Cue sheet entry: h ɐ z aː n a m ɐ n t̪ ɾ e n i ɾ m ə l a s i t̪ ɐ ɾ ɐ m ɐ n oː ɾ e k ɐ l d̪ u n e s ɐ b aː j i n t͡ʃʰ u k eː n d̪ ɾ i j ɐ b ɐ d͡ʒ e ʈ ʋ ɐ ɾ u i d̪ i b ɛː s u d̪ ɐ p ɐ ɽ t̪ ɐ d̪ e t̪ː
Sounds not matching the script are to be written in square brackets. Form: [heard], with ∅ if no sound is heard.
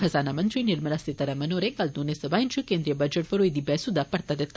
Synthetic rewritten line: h ɐ z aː n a m ɐ n t̪ ɾ [i] n i ɾ m [ɐ] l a s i t̪ ɐ ɾ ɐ m ɐ n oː ɾ e k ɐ l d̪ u n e s ɐ b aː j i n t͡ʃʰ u k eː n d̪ ɾ i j ɐ b ɐ d͡ʒ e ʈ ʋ ɐ ɾ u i d̪ i b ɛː s u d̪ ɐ p ɐ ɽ t̪ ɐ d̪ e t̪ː